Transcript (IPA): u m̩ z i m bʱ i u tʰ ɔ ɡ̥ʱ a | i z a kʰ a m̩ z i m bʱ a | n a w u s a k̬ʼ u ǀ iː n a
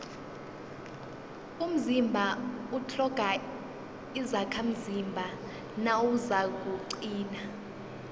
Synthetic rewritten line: u m̩ z i m bʱ a u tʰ ɔ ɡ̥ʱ a | i z a kʰ a m̩ z i m bʱ a | n a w u z a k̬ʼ u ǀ iː n a